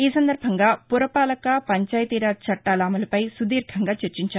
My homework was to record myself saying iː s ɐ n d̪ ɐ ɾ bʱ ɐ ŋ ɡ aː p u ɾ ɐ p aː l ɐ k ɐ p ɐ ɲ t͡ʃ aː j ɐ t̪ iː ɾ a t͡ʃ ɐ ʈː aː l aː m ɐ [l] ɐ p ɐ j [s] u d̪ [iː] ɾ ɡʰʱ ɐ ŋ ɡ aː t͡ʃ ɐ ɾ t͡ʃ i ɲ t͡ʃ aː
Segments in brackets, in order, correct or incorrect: correct, correct, correct

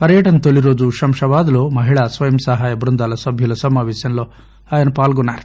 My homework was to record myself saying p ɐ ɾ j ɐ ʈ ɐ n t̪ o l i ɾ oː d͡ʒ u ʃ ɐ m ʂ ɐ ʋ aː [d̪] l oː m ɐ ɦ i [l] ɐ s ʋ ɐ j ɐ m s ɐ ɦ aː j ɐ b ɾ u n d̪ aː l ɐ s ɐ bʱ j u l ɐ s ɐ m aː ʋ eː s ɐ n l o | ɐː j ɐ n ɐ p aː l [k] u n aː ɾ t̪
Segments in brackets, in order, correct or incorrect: correct, incorrect, incorrect

